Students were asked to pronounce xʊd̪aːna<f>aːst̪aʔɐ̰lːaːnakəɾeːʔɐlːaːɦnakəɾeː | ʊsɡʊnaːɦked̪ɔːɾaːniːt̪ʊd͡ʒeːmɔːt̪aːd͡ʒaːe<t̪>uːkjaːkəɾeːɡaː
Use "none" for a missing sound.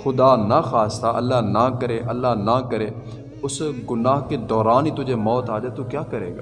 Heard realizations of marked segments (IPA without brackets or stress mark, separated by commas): x, t̪